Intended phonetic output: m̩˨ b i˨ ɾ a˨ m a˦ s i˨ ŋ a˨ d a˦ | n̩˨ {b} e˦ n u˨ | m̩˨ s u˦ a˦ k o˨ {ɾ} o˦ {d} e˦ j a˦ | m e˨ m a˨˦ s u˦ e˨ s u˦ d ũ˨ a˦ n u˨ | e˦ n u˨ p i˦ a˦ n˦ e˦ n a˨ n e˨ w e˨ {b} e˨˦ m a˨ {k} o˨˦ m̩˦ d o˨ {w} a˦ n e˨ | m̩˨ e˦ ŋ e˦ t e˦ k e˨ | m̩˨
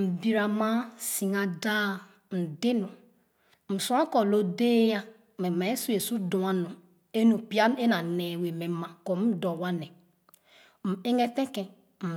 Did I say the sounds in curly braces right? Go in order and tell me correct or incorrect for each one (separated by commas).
incorrect, incorrect, correct, incorrect, correct, correct